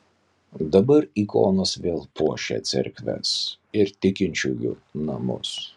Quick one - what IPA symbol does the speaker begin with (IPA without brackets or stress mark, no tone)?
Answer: d̪